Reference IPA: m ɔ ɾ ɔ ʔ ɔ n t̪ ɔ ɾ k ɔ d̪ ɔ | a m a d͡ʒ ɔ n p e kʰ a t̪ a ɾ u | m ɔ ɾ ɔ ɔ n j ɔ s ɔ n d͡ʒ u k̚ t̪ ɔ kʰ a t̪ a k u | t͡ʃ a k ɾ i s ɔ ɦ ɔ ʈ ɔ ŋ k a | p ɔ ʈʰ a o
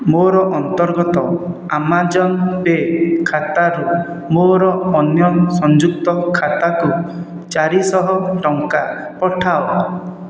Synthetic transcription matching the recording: m o ɾ ɔ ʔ ɔ n t̪ ɔ ɾ ɡ ɔ t̪ ɔ | a m a d͡ʒ ɔ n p e kʰ a t̪ a ɾ u | m o ɾ ɔ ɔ n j ɔ s ɔ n d͡ʒ u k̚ t̪ ɔ kʰ a t̪ a k u | t͡ʃ a ɾ i s ɔ ɦ ɔ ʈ ɔ ŋ k a | p ɔ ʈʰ a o